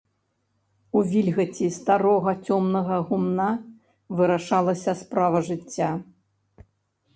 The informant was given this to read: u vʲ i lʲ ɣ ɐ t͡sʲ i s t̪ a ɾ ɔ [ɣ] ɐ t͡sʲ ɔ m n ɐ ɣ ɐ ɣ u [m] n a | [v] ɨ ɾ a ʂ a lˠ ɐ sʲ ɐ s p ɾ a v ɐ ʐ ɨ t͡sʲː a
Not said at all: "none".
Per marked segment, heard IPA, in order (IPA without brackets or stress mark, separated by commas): ɣ, m, v